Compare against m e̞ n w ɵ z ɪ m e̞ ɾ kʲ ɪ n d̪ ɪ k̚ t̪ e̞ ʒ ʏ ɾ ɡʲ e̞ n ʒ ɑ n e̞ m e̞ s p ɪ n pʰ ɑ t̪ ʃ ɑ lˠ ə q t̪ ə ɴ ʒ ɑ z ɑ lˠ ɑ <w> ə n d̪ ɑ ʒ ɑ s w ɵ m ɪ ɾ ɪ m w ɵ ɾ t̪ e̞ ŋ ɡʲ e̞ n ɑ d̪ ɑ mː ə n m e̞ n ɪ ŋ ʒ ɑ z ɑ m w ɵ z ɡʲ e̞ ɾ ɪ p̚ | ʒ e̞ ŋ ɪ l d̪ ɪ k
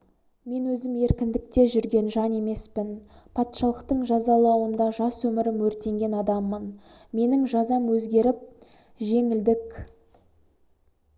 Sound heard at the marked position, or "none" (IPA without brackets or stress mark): w